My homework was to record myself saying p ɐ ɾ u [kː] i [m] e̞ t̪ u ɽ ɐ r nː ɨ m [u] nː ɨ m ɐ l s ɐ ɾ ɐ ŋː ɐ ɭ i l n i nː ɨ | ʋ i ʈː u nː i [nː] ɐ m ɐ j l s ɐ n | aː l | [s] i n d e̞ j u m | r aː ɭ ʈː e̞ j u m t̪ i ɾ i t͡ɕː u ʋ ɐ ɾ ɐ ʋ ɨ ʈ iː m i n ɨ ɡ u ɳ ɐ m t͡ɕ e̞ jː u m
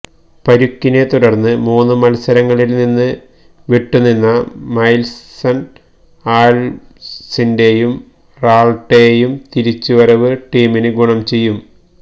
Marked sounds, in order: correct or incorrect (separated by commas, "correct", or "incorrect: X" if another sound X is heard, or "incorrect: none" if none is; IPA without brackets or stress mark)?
correct, incorrect: n, incorrect: uː, correct, correct